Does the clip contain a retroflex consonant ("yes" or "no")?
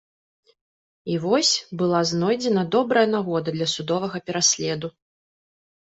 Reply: no